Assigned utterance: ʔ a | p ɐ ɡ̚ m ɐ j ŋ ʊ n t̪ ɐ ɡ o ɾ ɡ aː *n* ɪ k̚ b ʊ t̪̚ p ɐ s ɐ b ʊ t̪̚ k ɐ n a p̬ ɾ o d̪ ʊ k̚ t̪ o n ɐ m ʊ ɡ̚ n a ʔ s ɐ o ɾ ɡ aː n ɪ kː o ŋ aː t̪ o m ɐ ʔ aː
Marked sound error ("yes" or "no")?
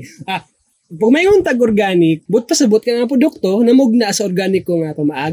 no